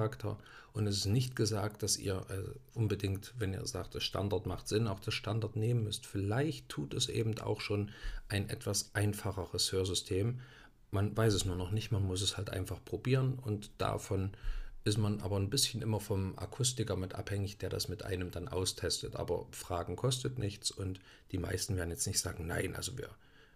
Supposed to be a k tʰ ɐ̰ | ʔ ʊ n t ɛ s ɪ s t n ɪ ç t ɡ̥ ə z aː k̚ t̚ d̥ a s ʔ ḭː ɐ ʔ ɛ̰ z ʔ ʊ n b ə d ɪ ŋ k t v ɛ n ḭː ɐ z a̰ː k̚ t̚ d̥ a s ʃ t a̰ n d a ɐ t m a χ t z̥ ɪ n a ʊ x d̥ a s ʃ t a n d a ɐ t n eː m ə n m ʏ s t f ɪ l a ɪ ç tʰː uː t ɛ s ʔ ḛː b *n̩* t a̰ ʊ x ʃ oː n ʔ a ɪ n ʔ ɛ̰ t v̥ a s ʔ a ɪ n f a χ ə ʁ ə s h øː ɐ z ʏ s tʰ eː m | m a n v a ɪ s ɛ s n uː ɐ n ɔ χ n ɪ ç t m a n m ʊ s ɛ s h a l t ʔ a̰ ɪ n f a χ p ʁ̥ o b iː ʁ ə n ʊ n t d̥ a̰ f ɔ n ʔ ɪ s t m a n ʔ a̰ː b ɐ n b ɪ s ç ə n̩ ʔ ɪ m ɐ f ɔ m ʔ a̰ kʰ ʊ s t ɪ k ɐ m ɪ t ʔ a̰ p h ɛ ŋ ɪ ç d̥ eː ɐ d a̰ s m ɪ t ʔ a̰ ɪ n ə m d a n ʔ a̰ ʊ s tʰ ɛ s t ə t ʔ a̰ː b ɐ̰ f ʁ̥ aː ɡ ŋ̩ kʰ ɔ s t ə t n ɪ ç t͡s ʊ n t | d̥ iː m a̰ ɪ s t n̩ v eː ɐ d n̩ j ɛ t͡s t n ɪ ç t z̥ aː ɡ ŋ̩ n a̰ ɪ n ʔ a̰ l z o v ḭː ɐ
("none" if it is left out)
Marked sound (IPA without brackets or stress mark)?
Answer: m̩